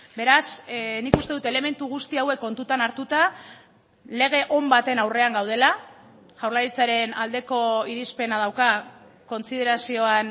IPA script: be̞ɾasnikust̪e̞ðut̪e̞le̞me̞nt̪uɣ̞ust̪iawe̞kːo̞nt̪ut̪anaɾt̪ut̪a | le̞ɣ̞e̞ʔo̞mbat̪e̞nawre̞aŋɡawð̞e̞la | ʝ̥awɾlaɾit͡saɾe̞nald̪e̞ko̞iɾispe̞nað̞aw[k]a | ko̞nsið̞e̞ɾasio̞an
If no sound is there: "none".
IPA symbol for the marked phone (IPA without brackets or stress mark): k